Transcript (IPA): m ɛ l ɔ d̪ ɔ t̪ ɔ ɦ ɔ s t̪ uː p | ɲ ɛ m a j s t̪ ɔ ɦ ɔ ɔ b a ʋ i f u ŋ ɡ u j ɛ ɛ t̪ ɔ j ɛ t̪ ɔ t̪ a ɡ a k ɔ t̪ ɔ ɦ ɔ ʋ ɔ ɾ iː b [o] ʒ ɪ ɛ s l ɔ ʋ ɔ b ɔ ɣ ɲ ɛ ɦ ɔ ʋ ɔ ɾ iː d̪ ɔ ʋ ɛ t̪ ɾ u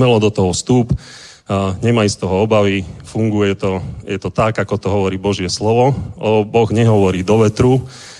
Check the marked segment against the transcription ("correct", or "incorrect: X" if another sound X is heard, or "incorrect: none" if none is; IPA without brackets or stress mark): incorrect: ɔ